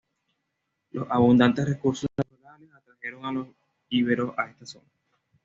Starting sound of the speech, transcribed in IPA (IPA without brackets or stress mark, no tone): l